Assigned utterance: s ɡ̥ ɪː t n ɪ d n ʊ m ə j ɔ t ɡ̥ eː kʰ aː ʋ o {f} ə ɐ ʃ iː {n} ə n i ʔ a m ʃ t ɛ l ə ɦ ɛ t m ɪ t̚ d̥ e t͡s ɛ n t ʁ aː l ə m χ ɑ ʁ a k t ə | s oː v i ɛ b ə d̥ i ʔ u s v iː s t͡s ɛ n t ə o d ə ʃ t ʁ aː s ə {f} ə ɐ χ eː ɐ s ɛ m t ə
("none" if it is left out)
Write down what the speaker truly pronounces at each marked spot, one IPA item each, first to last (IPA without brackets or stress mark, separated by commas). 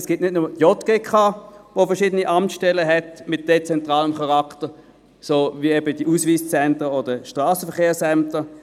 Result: f, d, f